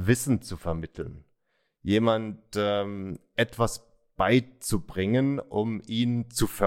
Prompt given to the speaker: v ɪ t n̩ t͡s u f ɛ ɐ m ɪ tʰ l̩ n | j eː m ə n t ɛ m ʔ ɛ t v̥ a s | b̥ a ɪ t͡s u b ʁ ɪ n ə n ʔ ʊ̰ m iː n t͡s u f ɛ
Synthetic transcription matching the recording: v ɪ s n̩ t͡s u f ɛ ɐ m ɪ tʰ l̩ n | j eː m a n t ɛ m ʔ ɛ t v̥ a s | b̥ a ɪ t͡s u b ʁ ɪ ŋ ə n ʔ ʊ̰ m iː n t͡s u f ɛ